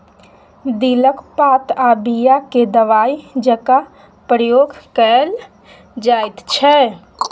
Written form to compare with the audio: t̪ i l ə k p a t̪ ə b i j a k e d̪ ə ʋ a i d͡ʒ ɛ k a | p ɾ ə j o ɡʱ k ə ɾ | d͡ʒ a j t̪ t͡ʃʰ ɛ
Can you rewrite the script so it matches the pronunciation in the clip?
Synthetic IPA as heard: d̪ i l ə k p a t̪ a b i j a k e d̪ ə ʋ a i d͡ʒ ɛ k a | p ɾ ə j o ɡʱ k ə l | d͡ʒ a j t̪ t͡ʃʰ ɛ